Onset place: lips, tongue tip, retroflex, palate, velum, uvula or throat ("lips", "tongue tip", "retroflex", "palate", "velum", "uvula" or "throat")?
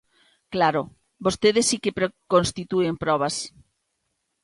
velum